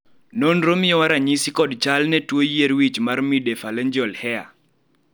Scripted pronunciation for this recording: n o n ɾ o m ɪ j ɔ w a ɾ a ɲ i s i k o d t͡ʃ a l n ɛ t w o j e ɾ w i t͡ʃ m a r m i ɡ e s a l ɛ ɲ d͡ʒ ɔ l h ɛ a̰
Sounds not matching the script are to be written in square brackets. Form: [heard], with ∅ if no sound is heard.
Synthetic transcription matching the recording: n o n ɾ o m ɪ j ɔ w a ɾ a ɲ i s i k [ɔ] d t͡ʃ a l n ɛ t w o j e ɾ w i t͡ʃ m a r m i [d] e [f] a l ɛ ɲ d͡ʒ ɔ l h ɛ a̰